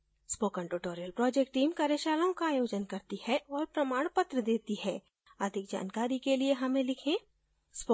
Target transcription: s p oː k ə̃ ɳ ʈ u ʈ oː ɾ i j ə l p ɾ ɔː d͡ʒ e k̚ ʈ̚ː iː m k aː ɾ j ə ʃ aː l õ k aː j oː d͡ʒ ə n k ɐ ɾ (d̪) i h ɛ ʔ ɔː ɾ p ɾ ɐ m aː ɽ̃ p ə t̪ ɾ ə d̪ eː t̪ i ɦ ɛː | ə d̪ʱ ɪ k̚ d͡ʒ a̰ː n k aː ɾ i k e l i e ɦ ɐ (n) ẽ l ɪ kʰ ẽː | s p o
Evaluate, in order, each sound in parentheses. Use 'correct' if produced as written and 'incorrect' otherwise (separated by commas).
incorrect, incorrect